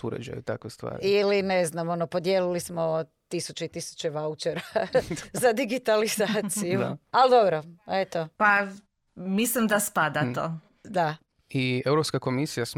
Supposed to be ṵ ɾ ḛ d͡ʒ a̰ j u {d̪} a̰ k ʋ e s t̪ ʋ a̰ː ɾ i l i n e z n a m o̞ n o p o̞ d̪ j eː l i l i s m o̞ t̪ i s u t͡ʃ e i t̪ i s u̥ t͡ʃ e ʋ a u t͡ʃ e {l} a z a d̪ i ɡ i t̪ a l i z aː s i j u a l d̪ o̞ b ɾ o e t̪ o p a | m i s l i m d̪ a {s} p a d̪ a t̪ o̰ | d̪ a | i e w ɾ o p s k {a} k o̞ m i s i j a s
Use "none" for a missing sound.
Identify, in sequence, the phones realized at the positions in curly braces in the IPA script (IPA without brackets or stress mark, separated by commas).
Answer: t̪, ɾ, s, a